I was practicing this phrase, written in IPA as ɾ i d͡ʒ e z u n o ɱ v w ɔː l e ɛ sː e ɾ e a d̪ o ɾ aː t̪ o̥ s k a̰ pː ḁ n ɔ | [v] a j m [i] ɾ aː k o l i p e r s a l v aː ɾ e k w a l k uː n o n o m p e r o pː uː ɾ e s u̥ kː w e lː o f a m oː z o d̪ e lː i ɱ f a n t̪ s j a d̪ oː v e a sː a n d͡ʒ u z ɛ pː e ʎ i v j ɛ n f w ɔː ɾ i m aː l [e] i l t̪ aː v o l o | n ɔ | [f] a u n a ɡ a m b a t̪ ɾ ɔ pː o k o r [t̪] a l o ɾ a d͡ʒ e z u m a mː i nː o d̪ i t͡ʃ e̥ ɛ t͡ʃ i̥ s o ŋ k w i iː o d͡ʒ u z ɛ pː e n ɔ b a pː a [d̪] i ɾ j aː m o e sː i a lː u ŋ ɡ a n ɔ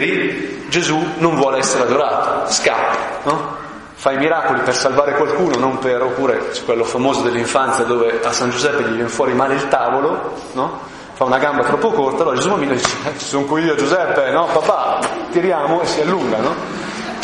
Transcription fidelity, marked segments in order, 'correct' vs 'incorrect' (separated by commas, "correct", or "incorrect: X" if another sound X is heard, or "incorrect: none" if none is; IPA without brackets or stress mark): incorrect: f, correct, correct, correct, correct, incorrect: t̪